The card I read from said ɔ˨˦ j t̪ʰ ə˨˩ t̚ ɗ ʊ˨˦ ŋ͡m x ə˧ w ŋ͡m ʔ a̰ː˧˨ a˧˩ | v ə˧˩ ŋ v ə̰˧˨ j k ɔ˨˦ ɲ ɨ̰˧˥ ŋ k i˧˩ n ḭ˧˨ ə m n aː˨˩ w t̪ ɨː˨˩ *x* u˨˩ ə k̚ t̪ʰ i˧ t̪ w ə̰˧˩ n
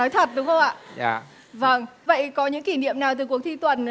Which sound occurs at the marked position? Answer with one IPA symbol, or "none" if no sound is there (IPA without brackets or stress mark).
k